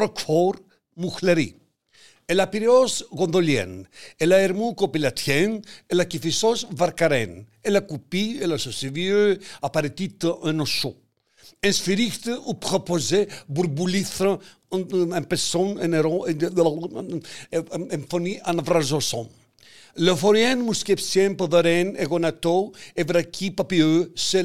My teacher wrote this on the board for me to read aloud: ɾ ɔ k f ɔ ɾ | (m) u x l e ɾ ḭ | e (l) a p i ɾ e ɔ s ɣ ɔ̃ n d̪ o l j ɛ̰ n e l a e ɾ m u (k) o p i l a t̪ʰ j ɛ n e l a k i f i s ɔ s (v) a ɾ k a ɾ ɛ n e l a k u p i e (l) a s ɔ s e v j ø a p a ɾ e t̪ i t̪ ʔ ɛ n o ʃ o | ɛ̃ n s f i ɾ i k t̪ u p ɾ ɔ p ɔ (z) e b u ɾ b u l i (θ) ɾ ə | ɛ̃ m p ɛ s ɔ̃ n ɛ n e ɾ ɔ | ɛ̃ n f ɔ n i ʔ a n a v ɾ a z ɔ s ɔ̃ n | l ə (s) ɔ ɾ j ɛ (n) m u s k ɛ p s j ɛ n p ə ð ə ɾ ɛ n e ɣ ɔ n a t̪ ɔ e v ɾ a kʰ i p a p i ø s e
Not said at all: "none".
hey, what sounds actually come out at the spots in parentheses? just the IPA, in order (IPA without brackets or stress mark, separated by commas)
m, l, k, v, l, z, θ, f, n